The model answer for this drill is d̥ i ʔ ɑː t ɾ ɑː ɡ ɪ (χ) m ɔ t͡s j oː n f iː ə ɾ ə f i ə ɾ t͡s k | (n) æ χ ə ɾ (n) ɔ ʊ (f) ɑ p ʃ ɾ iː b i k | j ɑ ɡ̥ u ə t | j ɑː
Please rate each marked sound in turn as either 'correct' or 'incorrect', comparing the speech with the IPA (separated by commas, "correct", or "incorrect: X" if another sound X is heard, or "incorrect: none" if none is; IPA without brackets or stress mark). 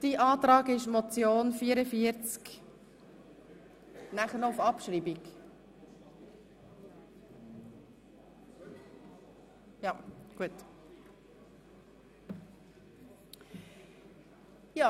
incorrect: ʃ, correct, correct, correct